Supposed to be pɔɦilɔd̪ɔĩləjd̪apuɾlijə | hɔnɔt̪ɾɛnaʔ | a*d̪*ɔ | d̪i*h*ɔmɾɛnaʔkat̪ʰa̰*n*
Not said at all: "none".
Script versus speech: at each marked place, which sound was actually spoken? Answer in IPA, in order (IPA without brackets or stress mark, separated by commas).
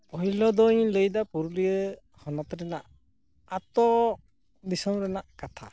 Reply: t̪, s, none